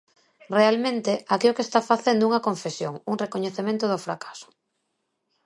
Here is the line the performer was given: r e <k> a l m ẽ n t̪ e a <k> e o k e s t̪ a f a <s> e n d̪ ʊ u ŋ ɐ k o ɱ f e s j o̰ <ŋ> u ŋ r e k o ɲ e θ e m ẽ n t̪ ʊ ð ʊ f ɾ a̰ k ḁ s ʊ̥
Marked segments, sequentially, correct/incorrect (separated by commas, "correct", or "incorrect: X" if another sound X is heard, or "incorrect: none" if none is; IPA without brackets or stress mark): incorrect: none, correct, incorrect: θ, correct